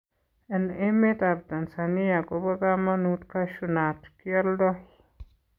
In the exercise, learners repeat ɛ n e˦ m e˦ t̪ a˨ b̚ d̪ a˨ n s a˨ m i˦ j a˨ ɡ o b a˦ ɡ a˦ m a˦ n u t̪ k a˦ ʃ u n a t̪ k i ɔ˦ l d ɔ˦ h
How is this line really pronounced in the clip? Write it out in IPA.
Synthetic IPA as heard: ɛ n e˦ m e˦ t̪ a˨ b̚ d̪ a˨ n s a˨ n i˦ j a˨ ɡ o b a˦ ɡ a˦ m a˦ n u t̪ k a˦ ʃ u n a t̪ k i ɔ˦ l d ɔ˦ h